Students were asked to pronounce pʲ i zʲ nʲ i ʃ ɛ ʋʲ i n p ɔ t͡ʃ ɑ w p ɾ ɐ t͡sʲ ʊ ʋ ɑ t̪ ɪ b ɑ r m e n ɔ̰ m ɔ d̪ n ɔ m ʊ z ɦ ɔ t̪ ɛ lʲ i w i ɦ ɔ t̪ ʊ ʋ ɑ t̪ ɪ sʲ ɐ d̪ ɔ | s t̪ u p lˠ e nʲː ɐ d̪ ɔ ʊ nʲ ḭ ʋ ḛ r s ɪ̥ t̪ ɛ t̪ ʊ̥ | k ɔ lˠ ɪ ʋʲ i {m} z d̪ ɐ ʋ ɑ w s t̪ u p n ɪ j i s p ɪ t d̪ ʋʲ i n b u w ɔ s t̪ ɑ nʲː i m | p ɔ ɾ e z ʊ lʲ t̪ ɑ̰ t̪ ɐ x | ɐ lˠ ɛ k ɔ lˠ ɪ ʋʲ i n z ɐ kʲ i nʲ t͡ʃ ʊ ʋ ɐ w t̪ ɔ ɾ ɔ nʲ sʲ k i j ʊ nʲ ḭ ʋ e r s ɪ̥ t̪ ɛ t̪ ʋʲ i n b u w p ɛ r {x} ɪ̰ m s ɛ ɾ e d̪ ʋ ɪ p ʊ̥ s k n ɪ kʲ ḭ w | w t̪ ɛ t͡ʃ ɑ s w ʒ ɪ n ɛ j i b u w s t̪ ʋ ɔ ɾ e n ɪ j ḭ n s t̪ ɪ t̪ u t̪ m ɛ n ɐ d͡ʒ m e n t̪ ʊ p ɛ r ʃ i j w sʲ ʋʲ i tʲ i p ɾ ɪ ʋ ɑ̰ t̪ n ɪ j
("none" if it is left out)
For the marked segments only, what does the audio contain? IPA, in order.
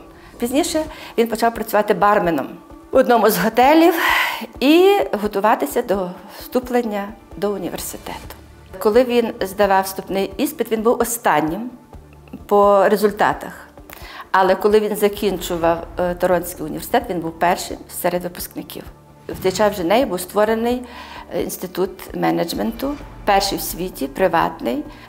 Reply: n, ʃ

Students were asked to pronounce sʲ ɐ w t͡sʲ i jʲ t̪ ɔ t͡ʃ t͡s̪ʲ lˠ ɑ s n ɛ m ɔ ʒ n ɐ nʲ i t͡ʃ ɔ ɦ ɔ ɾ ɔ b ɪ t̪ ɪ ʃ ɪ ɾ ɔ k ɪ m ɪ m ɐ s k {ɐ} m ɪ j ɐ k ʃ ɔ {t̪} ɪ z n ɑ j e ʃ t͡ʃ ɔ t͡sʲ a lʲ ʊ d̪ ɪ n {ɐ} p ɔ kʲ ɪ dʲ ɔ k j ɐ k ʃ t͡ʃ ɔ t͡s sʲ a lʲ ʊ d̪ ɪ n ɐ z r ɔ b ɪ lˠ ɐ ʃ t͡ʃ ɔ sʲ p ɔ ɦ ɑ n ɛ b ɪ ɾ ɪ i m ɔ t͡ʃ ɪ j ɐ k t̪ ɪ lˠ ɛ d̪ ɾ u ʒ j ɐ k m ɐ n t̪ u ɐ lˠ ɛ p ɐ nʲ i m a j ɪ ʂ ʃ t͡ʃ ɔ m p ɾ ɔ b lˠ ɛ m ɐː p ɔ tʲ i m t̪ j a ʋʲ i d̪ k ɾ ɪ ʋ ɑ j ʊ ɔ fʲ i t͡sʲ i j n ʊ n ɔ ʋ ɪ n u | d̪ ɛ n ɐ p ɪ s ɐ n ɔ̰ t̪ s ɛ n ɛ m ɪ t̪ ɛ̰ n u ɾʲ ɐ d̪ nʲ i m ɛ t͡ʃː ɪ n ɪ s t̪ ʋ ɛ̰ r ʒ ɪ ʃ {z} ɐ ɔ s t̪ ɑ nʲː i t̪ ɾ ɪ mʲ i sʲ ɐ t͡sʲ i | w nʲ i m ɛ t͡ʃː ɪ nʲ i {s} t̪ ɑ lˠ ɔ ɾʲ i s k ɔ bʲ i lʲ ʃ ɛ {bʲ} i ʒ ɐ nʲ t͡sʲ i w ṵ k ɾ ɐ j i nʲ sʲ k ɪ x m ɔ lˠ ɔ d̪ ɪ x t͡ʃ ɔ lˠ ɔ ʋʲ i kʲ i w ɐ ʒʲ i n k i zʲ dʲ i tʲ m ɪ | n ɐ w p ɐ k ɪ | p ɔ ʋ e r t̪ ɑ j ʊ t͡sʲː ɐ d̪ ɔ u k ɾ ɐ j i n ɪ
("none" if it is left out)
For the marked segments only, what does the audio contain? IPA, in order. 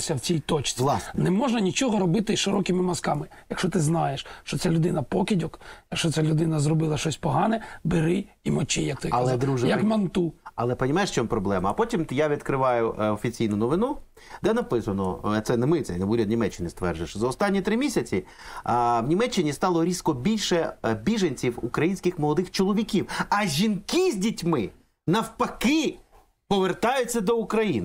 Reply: ɑ, t̪, ɐ, z, s, bʲ

